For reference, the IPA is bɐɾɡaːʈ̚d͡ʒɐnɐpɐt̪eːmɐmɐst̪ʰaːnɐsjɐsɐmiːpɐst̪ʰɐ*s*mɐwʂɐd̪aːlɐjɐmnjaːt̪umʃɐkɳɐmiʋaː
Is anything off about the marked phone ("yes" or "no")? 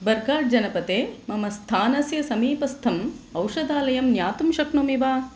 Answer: yes